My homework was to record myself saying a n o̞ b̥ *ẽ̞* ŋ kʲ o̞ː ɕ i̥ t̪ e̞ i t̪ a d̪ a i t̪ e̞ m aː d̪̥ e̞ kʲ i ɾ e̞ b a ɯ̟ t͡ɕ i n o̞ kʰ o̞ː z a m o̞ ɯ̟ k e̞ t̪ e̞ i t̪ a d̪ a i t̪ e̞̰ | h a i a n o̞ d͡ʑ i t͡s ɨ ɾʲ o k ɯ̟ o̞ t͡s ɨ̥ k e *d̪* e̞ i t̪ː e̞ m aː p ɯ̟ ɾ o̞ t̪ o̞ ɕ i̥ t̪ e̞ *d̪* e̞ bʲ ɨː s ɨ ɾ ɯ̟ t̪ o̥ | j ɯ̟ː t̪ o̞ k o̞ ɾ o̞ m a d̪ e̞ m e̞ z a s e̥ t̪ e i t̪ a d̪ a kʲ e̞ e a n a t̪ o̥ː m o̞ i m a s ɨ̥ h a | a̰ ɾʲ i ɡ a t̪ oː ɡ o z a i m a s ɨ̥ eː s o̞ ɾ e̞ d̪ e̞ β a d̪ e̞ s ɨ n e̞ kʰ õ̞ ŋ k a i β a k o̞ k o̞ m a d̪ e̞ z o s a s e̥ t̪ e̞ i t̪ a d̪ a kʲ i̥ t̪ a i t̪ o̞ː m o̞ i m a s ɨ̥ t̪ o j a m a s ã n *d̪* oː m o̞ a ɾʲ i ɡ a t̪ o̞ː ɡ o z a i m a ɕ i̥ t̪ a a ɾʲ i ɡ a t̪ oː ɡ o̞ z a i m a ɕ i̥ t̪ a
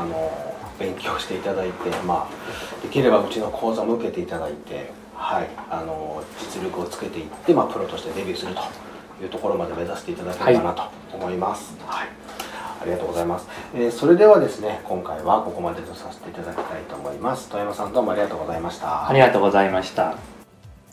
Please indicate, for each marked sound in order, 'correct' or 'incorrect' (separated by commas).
correct, incorrect, correct, correct